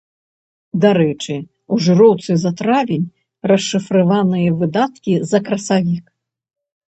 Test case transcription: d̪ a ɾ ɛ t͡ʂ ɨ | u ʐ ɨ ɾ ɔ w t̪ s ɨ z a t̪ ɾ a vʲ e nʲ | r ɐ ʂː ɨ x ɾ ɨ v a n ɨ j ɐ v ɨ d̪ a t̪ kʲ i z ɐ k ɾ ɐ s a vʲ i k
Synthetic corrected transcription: d̪ a ɾ ɛ t͡ʂ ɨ | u ʐ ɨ ɾ ɔ w t̪ s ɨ z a t̪ ɾ a vʲ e nʲ | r ɐ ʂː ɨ f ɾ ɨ v a n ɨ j ɐ v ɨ d̪ a t̪ kʲ i z ɐ k ɾ ɐ s a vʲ i k